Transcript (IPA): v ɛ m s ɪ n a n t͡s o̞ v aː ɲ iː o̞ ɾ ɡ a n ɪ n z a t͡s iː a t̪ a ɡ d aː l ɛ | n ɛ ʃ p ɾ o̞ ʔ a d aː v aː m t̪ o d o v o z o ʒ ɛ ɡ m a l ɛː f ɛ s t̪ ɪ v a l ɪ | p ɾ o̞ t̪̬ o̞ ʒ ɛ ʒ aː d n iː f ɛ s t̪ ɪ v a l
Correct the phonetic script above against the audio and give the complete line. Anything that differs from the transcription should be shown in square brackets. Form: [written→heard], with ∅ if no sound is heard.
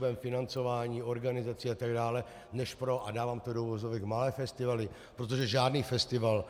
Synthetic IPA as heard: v ɛ m [s→f] ɪ n a n t͡s o̞ v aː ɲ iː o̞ ɾ ɡ a n ɪ [n→∅] z a t͡s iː a t̪ a ɡ d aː l ɛ | n ɛ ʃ p ɾ o̞ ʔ a d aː v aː m t̪ o d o v o z o [ʒ→v] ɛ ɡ m a l ɛː f ɛ s t̪ ɪ v a l ɪ | p ɾ o̞ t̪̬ o̞ ʒ ɛ ʒ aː d n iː f ɛ s t̪ ɪ v a l